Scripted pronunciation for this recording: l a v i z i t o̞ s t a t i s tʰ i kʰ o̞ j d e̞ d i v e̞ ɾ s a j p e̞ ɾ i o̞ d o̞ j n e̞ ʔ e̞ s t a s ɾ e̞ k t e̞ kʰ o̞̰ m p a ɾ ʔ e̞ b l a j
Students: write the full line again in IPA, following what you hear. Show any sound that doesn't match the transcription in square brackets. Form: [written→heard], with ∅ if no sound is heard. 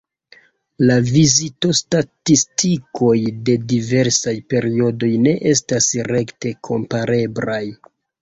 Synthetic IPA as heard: l a v i z i t o̞ s t a t i s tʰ i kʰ o̞ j d e̞ d i v e̞ ɾ s a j p e̞ ɾ i o̞ d o̞ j n e̞ ʔ e̞ s t a s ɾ e̞ k t e̞ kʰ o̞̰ m p a ɾ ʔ e̞ b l a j